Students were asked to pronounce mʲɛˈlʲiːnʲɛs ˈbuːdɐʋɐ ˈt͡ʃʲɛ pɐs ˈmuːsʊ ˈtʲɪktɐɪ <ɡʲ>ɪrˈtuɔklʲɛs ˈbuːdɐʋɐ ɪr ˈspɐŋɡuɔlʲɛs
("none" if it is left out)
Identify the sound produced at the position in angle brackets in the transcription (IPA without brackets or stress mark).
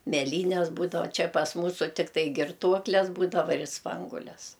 ɡʲ